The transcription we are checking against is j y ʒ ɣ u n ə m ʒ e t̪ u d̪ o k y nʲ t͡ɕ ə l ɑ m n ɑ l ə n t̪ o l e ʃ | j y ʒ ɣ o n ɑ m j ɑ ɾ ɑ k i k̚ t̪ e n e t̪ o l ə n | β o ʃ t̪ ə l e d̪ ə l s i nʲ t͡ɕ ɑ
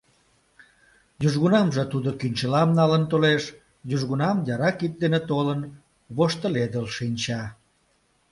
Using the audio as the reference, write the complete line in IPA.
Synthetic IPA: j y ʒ ɣ u n ɑ m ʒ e t̪ u d̪ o k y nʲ t͡ɕ ə l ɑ m n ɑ l ə n t̪ o l e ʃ | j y ʒ ɣ u n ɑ m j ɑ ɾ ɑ k i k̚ d̪ e n e t̪ o l ə n | β o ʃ t̪ ə l e d̪ ə l ʃ i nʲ t͡ɕ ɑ